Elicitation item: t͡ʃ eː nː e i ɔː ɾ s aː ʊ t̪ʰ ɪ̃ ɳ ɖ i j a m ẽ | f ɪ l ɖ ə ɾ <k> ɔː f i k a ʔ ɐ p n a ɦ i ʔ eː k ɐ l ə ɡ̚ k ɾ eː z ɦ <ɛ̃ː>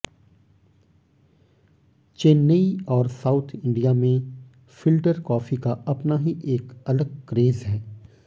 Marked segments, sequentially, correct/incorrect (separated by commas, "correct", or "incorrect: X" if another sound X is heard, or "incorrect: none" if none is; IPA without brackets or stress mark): correct, incorrect: ɛː